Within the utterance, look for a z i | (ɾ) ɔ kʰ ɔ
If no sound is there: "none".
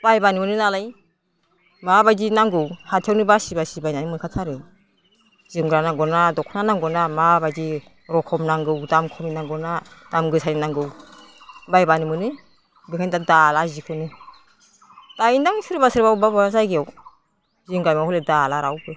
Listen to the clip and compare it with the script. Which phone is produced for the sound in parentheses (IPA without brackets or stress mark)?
ɾ